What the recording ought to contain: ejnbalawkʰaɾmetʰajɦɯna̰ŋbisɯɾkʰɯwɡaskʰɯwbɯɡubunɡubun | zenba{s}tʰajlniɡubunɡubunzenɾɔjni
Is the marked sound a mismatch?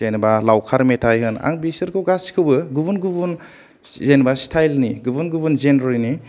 no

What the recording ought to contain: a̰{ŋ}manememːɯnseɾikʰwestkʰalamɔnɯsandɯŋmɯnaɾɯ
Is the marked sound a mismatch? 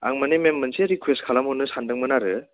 no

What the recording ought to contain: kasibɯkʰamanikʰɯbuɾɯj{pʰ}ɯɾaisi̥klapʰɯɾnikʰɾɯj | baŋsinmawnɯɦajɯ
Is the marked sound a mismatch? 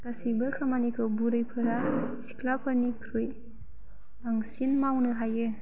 no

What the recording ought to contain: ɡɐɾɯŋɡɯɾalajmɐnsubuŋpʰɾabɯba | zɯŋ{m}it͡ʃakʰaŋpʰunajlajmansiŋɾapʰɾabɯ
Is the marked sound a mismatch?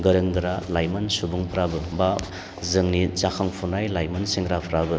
yes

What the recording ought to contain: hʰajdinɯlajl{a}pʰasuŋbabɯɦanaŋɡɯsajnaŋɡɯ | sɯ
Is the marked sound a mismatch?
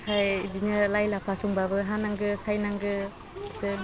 no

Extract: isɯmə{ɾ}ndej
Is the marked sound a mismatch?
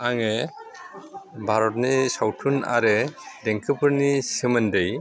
yes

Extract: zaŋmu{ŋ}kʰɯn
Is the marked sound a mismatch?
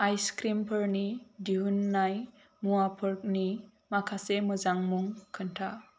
no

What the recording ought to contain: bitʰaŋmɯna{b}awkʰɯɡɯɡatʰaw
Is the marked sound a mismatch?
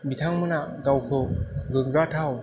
yes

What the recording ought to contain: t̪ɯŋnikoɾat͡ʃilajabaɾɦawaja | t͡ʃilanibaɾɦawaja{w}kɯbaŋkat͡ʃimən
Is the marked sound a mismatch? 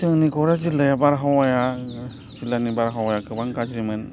yes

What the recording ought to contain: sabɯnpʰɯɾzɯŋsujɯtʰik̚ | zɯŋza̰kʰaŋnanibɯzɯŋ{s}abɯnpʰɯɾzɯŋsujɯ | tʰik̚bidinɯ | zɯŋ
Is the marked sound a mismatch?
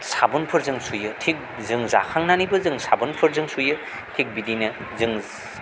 no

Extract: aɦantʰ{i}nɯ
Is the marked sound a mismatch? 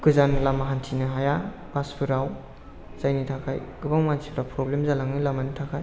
no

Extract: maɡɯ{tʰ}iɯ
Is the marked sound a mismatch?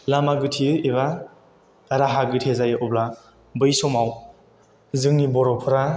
no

